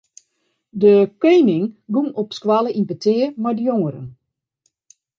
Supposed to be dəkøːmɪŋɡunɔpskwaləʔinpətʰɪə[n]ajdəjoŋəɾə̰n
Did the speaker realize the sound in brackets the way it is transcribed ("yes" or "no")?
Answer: no